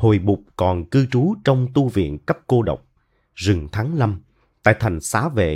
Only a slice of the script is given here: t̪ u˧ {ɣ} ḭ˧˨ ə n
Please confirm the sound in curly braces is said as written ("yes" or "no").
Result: no